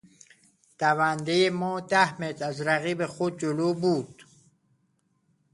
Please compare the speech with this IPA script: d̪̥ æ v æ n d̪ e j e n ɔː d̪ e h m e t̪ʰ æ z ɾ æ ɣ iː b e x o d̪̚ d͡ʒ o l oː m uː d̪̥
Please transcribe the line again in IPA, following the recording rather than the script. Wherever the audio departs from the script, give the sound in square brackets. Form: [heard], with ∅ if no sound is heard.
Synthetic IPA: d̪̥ æ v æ n d̪ e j e [m] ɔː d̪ [æ] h m e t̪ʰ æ z ɾ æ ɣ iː b e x o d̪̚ d͡ʒ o l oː [b] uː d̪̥